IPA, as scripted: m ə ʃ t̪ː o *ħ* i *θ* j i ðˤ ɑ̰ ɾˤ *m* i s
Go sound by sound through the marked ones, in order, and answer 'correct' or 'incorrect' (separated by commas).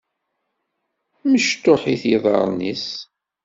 correct, correct, incorrect